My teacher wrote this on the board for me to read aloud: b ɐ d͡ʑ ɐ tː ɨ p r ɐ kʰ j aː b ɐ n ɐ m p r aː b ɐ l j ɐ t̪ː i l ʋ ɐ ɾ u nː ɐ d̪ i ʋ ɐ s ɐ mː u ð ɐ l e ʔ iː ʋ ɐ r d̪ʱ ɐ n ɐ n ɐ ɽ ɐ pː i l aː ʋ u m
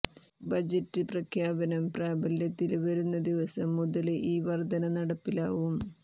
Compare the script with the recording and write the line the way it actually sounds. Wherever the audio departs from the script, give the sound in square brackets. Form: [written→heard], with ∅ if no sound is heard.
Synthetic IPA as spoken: b ɐ d͡ʑ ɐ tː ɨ p r ɐ kʰ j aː b ɐ n ɐ m p r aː b ɐ l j ɐ t̪ː i l ʋ ɐ ɾ u nː ɐ d̪ i ʋ ɐ s ɐ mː u ð ɐ l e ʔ iː ʋ ɐ r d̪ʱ ɐ n ɐ n ɐ ɽ ɐ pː i l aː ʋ u m